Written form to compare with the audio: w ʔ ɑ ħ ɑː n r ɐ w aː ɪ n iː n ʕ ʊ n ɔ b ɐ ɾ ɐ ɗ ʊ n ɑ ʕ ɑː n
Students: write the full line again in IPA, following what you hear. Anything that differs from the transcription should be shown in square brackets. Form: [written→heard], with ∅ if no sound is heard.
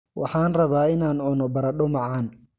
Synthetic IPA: w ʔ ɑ ħ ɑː n r ɐ [w→β] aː ɪ n [iː→aː] n ʕ ʊ n ɔ b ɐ ɾ ɐ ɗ ʊ [n→m] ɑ ʕ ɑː n